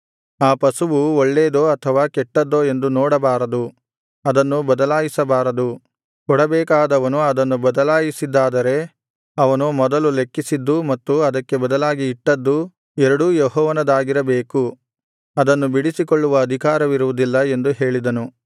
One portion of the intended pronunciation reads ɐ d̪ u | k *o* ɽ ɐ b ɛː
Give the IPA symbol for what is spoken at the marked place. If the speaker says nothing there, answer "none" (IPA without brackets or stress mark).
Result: ɔ